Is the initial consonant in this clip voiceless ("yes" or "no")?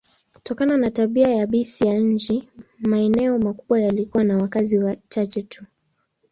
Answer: yes